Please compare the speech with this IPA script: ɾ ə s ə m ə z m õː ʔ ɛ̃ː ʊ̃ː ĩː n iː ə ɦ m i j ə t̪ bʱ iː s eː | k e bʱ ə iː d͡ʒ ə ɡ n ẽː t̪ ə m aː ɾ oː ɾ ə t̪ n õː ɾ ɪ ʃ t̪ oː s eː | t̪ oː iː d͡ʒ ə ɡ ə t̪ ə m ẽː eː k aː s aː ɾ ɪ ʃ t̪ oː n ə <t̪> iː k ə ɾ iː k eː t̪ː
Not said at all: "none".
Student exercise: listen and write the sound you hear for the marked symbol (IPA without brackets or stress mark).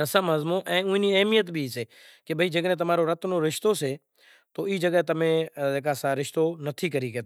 t̪ʰ